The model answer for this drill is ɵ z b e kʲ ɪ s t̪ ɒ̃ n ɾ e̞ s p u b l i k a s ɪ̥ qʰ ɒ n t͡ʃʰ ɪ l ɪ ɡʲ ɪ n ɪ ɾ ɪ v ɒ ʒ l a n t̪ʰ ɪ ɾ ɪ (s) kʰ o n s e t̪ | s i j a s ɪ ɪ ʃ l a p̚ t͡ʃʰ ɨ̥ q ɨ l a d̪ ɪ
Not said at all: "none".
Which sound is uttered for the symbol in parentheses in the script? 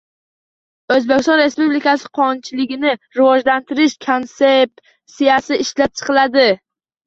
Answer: ʃ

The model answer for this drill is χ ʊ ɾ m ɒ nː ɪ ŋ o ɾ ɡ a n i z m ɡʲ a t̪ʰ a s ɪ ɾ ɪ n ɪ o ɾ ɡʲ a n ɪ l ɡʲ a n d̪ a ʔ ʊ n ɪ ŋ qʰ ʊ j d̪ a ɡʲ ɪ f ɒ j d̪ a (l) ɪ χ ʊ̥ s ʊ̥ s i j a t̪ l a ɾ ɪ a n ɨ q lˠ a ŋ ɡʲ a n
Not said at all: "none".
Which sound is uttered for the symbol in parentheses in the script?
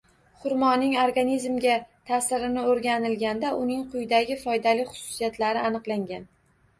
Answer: l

